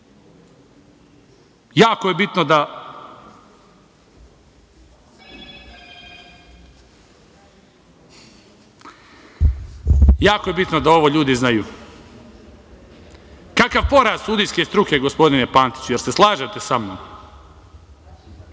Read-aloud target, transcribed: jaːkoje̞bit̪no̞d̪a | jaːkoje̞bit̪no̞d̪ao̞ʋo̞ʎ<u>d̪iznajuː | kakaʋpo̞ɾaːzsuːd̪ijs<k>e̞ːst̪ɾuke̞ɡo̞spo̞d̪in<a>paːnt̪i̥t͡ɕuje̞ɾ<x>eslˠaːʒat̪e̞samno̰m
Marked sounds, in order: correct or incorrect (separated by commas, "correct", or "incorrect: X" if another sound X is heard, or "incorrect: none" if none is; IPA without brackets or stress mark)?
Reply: incorrect: uː, correct, incorrect: e, incorrect: s